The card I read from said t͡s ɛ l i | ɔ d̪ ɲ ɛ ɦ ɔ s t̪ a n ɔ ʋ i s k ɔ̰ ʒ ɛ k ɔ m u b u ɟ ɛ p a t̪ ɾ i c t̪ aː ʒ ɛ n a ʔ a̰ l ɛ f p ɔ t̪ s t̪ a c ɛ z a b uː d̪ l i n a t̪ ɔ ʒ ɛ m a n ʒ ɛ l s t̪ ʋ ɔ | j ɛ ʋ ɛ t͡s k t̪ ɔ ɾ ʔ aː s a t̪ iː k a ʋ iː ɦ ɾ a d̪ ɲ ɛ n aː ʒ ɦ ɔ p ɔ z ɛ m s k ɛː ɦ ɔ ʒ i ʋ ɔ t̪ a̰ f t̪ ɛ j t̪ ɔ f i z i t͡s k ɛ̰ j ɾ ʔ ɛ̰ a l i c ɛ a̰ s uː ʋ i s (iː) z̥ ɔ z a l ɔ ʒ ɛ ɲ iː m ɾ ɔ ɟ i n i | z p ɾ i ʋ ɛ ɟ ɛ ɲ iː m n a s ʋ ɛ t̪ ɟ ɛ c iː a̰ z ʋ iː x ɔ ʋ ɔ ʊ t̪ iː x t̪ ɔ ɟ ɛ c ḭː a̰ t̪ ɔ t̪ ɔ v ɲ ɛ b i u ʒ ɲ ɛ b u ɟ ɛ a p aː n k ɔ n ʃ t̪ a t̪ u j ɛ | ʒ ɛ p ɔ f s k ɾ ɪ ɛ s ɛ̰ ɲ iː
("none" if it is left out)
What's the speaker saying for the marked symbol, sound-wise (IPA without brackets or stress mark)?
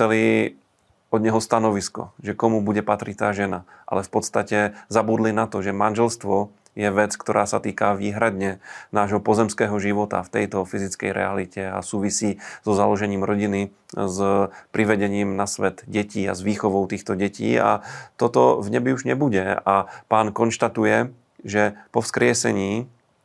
iː